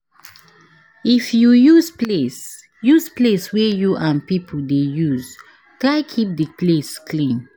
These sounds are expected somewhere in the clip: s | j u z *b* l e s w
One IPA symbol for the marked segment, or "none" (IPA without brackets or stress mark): p